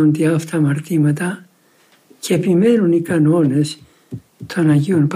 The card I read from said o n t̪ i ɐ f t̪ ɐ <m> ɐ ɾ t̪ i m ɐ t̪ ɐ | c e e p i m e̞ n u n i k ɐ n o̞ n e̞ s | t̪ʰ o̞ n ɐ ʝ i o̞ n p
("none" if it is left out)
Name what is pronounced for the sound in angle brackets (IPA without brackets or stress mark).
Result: m